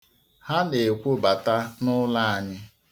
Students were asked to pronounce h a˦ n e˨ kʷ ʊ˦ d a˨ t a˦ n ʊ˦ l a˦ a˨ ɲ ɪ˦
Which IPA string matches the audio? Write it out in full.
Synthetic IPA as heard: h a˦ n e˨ kʷ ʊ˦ b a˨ t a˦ n ʊ˦ l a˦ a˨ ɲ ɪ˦